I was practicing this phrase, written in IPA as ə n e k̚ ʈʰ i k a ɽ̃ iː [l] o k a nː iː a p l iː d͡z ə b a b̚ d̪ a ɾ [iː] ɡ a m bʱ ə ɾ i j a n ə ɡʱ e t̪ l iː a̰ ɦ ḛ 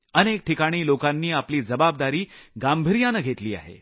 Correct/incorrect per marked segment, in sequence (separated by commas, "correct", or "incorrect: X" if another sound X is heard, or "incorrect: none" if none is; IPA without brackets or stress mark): correct, correct